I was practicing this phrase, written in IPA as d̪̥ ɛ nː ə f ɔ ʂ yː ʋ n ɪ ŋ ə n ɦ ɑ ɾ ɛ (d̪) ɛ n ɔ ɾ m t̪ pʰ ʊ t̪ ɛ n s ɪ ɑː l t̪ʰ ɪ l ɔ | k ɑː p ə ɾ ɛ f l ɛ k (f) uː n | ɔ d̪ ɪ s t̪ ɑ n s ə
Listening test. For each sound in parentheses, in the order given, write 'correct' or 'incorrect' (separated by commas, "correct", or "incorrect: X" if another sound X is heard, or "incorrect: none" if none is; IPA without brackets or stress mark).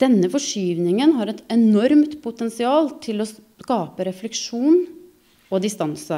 incorrect: t̪, incorrect: ʂ